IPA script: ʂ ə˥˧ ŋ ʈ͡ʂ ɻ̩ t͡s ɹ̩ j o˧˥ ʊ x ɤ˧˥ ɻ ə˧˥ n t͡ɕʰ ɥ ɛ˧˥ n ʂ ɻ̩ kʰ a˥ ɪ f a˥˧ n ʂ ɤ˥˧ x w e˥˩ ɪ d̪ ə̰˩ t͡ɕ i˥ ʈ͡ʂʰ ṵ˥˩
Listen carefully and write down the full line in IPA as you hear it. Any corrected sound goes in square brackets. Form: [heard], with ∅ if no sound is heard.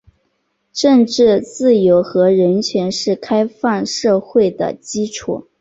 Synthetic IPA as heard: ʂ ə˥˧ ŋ ʈ͡ʂ ɻ̩ t͡s ɹ̩ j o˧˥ ʊ x ɤ˧˥ ɻ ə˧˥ n t͡ɕʰ ɥ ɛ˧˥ n ʂ ɻ̩ kʰ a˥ ɪ f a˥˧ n ʂ ɤ˥˧ x w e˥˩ ɪ d̪ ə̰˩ t͡ɕ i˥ ʈ͡ʂʰ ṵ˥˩